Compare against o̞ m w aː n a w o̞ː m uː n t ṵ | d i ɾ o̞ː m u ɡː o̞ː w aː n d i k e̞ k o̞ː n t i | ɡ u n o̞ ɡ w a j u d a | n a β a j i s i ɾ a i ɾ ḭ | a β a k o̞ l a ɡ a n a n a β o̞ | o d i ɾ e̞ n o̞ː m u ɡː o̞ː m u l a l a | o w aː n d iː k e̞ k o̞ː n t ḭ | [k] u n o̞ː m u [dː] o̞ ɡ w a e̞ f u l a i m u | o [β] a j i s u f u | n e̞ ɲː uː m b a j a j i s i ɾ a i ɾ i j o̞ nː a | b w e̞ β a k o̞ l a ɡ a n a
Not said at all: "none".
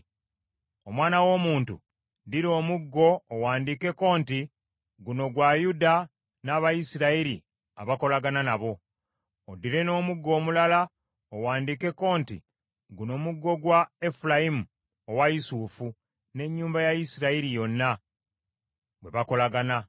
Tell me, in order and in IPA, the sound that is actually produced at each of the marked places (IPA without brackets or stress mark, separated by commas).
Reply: ɡ, ɡː, w